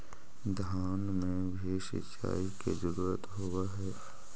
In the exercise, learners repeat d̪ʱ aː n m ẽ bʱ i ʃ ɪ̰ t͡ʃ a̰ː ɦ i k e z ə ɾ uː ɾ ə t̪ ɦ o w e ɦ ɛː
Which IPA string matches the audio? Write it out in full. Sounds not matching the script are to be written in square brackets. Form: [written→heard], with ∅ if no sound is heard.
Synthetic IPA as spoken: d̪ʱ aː n m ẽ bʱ i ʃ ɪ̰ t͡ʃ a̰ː [ɦ→∅] i k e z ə ɾ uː ɾ ə t̪ ɦ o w [e→a] ɦ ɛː